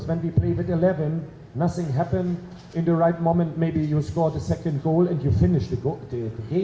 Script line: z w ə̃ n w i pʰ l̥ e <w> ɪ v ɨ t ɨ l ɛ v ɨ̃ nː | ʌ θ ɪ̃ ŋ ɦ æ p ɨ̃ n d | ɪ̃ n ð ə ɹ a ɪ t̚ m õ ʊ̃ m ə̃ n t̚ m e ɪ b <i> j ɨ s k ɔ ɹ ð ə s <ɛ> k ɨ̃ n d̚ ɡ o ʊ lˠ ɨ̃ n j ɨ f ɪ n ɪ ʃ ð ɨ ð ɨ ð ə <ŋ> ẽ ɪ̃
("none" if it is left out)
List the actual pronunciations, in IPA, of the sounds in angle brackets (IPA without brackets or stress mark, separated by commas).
none, i, ɛ, ɡ